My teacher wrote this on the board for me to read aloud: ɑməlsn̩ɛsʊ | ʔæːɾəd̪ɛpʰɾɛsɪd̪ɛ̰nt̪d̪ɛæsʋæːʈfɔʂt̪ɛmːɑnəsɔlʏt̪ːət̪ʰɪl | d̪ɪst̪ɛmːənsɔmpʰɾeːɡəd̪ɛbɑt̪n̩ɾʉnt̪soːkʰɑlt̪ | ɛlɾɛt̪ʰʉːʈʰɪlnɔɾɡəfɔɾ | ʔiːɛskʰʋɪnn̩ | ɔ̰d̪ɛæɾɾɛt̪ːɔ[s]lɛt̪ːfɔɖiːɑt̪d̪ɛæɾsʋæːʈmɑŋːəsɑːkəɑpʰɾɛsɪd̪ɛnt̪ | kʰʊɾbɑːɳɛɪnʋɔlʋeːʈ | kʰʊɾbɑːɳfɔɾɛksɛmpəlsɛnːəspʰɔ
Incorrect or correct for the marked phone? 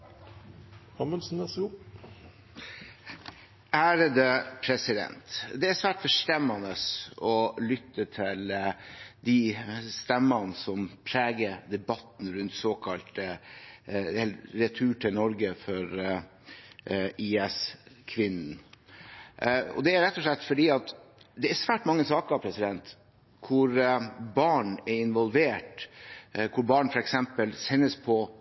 incorrect: ʂ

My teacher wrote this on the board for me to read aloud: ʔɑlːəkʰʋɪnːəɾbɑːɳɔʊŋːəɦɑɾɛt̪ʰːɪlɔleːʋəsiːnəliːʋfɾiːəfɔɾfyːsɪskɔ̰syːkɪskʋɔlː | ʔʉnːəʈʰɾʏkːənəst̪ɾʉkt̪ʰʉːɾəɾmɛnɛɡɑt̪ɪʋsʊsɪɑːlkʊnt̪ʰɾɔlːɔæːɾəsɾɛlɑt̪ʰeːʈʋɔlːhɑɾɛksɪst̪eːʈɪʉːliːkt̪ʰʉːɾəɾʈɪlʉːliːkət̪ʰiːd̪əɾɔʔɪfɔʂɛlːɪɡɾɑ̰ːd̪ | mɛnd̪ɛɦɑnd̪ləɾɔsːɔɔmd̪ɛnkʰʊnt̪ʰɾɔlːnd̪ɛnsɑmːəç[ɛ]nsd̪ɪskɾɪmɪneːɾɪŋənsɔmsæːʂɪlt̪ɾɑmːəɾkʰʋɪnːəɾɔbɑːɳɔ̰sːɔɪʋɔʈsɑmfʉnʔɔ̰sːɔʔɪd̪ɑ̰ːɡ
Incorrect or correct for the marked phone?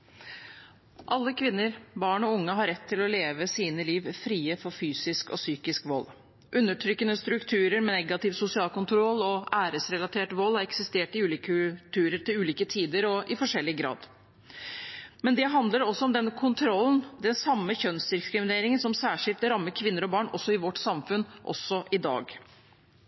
incorrect: œ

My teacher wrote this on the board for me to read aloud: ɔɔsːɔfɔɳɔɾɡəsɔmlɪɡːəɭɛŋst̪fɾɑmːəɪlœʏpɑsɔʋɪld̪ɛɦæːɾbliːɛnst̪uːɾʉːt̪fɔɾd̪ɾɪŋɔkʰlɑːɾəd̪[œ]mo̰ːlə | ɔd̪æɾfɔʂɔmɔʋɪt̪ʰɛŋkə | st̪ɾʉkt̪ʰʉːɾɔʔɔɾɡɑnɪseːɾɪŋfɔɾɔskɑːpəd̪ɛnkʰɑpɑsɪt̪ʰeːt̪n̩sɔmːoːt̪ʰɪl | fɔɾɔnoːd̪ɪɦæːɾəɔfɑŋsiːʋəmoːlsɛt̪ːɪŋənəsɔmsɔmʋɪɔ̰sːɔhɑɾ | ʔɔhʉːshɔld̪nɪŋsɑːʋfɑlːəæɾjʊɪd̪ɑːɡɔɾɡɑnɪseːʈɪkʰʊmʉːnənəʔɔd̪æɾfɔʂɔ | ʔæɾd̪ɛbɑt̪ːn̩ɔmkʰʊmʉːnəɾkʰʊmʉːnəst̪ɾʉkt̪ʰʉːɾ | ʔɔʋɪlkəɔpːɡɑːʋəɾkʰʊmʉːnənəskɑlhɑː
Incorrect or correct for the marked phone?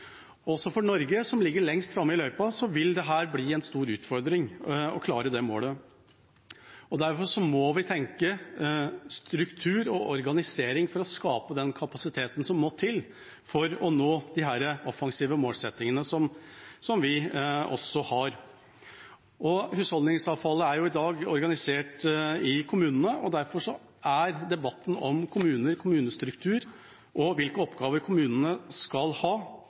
incorrect: ɛ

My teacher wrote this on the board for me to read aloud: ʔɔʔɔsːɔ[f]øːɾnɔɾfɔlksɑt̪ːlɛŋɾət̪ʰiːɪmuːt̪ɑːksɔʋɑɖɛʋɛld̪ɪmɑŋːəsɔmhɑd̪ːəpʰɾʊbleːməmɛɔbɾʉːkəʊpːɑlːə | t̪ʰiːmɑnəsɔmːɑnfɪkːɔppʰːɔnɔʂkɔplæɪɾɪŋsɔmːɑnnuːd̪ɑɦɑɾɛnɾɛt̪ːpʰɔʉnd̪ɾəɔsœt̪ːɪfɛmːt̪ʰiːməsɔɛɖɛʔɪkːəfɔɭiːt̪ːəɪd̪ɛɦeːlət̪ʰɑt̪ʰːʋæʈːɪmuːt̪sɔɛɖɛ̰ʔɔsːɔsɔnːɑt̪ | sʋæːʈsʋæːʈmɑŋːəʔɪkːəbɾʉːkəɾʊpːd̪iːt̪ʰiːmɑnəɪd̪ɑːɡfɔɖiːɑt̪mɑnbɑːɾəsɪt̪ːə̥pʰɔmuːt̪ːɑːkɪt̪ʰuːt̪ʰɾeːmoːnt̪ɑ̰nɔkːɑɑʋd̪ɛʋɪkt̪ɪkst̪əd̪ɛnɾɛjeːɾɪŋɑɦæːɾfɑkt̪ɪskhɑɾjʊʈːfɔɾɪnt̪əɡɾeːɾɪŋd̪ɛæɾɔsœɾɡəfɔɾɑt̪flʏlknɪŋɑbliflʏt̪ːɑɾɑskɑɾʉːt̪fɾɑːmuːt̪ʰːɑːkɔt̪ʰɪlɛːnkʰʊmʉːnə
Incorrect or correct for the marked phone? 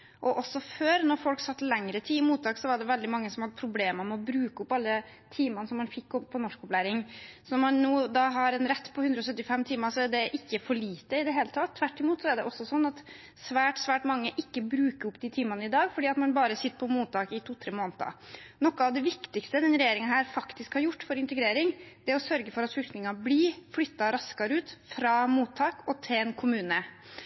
correct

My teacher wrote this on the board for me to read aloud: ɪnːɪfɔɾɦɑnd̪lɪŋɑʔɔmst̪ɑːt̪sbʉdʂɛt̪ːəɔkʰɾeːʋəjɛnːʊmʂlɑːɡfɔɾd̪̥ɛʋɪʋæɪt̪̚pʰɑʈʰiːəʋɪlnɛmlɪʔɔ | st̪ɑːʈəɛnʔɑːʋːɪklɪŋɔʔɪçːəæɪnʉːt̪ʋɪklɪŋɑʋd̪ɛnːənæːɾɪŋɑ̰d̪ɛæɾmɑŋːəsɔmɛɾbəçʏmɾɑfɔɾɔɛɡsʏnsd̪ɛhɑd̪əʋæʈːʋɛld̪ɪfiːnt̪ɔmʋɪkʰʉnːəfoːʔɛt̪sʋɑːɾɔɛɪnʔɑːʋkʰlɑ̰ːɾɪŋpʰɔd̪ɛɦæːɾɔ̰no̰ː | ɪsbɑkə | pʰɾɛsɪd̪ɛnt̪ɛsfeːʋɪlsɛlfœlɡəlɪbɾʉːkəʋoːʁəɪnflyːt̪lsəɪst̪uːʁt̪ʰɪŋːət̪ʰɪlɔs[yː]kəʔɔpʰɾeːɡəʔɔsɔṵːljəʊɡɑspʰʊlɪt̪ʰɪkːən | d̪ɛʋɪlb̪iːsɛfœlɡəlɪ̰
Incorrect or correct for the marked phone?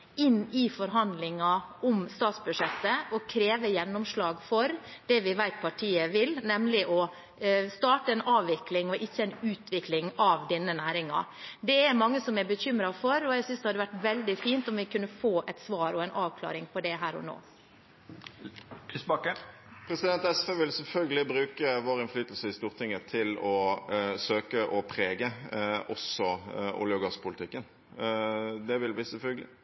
incorrect: øː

